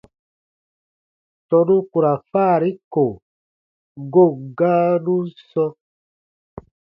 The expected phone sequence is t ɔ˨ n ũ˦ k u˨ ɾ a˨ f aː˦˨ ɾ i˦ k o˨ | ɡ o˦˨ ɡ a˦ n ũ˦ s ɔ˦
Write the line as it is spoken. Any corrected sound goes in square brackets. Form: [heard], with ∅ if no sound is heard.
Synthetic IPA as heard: t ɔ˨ n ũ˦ k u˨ ɾ a˨ f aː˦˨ ɾ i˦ k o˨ | ɡ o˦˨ ɡ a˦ n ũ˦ s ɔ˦